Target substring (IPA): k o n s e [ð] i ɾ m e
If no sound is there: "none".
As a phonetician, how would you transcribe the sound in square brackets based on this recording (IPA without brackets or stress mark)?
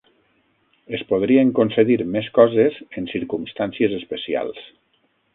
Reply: ð